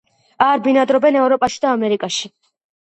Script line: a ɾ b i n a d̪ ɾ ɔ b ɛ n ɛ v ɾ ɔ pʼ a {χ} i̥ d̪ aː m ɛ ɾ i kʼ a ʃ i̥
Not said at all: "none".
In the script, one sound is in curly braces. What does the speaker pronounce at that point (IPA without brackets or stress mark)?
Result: ʃ